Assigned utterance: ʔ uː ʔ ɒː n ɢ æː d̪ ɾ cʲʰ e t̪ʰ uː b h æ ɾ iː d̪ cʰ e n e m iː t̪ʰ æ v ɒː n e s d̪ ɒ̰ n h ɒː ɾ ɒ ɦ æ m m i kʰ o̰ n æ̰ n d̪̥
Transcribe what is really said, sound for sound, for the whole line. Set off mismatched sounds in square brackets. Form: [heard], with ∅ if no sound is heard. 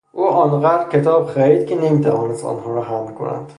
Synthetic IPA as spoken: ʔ uː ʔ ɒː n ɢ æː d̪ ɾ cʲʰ e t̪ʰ [ɒː] b [x] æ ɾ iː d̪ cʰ e n e m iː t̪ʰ æ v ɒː n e s [t̪] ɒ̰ n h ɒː ɾ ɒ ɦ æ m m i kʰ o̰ n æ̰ n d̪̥